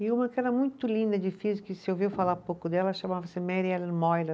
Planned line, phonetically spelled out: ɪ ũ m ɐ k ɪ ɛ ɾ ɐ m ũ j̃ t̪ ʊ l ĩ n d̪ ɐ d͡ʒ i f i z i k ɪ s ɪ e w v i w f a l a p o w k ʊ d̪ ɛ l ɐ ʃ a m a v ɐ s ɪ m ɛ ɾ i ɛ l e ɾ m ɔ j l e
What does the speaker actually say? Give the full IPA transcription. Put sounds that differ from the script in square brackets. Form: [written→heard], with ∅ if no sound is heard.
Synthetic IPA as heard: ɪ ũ m ɐ k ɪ ɛ ɾ ɐ m ũ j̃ t̪ ʊ l ĩ n d̪ ɐ d͡ʒ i f i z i k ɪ s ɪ e w v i w f a l a p o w k ʊ d̪ ɛ l ɐ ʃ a m a v ɐ s ɪ m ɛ ɾ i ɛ l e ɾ m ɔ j l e